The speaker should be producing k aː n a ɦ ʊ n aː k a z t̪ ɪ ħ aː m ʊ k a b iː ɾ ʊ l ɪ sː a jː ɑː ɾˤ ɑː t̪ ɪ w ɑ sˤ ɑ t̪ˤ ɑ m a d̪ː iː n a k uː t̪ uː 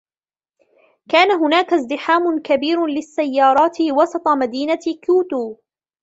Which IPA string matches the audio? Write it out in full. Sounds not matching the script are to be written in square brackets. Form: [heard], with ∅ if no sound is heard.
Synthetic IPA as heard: k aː n a ɦ ʊ n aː k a z [d̪] ɪ ħ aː m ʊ k a b iː ɾ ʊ l ɪ sː a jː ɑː ɾˤ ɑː t̪ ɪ w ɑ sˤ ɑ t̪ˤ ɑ m a [d̪] iː n a k uː t̪ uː